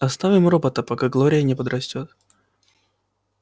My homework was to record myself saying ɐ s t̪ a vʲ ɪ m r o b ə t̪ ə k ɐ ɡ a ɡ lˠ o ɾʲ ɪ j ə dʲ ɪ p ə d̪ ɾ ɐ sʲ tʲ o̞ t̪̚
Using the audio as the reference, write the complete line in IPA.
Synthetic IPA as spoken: ɐ s t̪ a vʲ ɪ m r o b ə t̪ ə p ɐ k a ɡ lˠ o ɾʲ ɪ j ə nʲ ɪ p ə d̪ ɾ ɐ sʲ tʲ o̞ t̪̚